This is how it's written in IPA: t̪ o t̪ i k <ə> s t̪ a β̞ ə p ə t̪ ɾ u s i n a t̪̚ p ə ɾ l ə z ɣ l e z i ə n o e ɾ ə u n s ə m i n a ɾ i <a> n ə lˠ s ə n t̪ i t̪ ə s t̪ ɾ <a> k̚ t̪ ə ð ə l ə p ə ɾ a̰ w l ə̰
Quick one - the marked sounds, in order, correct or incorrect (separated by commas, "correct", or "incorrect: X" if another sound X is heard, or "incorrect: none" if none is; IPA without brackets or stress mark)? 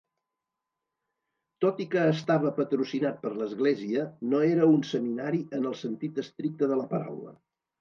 incorrect: əː, incorrect: ə, incorrect: i